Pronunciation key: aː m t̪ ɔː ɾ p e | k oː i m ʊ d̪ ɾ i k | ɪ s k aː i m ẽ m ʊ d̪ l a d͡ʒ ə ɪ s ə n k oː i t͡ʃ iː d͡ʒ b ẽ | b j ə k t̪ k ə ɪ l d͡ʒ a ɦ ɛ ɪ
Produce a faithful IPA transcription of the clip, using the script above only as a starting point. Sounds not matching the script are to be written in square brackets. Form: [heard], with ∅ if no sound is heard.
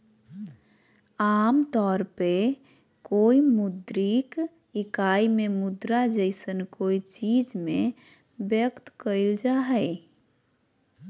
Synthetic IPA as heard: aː m t̪ ɔː ɾ p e | k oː i m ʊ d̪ ɾ i k | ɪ [∅] k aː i m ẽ m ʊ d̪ [ɾ] a d͡ʒ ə ɪ s ə n k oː i t͡ʃ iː d͡ʒ [m] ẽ | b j ə k t̪ k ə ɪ l d͡ʒ a ɦ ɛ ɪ